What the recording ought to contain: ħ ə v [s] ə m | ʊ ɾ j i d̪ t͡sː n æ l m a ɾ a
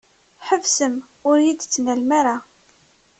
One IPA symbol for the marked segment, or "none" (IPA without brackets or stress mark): s